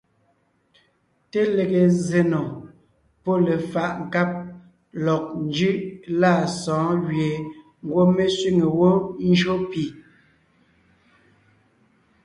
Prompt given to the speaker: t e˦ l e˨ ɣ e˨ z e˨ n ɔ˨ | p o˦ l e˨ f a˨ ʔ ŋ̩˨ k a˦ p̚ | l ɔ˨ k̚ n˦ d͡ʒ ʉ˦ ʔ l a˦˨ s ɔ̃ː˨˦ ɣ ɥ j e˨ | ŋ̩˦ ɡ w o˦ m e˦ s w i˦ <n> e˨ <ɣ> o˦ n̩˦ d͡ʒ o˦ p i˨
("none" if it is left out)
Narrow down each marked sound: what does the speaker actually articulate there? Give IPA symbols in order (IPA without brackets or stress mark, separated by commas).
ŋ, w